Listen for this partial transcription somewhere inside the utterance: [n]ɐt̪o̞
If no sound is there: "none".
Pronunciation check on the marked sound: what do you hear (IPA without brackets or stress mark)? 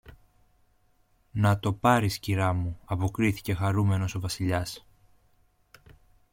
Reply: n